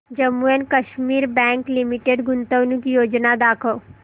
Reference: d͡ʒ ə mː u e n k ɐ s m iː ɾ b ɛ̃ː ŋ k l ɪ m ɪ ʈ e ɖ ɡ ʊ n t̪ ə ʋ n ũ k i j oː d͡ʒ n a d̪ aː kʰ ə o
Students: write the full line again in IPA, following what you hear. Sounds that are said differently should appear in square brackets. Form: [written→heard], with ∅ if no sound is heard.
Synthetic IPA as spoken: d͡ʒ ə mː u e n k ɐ [s→ʃ] m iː ɾ b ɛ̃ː ŋ k l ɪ m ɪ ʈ e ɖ ɡ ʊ n t̪ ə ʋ n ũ k i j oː d͡ʒ n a d̪ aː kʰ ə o

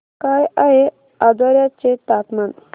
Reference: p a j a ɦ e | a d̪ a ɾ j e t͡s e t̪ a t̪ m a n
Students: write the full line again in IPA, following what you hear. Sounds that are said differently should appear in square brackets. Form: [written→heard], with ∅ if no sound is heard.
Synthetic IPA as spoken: [p→k] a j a ɦ e | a d̪ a ɾ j [e→a] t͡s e t̪ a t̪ m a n

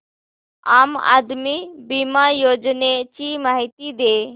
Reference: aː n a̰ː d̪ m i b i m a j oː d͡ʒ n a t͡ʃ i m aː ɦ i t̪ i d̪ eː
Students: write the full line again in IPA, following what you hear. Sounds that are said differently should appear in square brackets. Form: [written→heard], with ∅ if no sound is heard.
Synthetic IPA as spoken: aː [n→m] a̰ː d̪ m i b i m a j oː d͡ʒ n [a→e] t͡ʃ i m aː ɦ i t̪ i d̪ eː

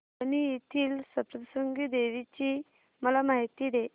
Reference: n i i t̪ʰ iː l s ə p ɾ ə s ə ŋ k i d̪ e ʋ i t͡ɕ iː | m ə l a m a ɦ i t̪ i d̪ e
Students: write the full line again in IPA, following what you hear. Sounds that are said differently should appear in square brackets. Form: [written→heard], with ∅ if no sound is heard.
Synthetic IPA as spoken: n i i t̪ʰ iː l s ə p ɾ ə s ə ŋ [k→ɡ] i d̪ e ʋ i t͡ɕ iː | m ə l a m a ɦ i t̪ i d̪ e

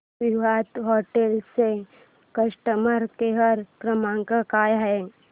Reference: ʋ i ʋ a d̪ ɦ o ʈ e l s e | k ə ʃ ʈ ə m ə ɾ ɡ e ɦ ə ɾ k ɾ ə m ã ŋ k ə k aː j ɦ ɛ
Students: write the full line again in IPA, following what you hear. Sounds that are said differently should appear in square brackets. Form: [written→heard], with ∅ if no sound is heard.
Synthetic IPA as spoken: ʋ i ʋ a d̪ ɦ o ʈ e l s e | k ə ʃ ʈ ə m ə ɾ [ɡ→k] e ɦ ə ɾ k ɾ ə m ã ŋ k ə k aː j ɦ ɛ

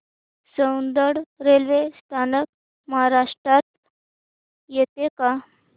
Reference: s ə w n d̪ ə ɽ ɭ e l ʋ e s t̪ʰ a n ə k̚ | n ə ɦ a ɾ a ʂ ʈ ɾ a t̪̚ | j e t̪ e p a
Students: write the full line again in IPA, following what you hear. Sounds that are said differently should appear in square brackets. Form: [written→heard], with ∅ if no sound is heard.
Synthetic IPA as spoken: s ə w n d̪ ə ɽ [ɭ→ɾ] e l ʋ e s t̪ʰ a n ə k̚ | [n→m] ə ɦ a ɾ a ʂ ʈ ɾ a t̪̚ | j e t̪ e [p→k] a

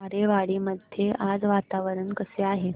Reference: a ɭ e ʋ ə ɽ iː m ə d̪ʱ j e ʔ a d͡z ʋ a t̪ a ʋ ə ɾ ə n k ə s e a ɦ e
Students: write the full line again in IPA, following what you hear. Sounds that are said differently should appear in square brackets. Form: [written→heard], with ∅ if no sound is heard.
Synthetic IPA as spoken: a [ɭ→ɾ] e ʋ [ə→a] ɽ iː m ə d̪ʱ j e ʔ a d͡z ʋ a t̪ a ʋ ə ɾ ə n k ə s e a ɦ e

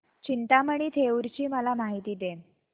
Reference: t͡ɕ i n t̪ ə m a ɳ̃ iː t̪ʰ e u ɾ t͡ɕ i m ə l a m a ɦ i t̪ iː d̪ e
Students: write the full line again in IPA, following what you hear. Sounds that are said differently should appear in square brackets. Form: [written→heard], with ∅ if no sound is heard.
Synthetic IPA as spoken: t͡ɕ i n t̪ [ə→a] m [a→ə] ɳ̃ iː t̪ʰ e u ɾ t͡ɕ [i→iː] m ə l a m a ɦ i t̪ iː d̪ e

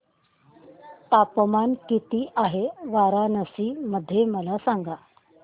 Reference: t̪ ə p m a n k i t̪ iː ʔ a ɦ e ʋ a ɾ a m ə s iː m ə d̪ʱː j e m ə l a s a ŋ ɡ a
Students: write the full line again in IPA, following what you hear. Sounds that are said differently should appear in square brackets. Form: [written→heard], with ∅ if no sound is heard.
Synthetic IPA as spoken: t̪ [ə→a] p m a n k i t̪ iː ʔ a ɦ e ʋ a ɾ a [m→n] ə s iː m ə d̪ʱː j e m ə l a s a ŋ ɡ a

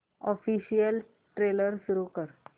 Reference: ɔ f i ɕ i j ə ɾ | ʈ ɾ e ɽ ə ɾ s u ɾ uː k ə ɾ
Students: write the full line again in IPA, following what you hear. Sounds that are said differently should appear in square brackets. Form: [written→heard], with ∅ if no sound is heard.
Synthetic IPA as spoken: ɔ f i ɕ i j ə [ɾ→l] | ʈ ɾ e [ɽ→l] ə ɾ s u ɾ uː k ə ɾ

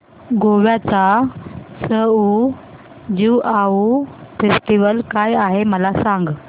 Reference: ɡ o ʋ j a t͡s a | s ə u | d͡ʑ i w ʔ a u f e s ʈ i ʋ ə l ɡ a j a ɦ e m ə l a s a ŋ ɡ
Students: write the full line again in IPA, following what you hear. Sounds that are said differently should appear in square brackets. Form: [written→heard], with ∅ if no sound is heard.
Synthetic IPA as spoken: ɡ o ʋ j a t͡s a | s ə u | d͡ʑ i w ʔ a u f e s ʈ i ʋ ə l [ɡ→k] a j a ɦ e m ə l a s a ŋ ɡ

